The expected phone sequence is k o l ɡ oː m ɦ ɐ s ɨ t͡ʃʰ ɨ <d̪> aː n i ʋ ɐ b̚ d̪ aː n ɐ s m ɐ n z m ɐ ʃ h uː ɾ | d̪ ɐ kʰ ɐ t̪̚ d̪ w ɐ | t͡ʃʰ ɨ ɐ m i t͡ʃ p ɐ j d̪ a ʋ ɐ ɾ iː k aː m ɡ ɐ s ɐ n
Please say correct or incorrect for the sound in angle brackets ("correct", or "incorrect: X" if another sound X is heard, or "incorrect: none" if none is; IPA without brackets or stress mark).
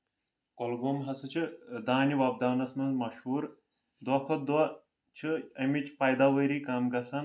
correct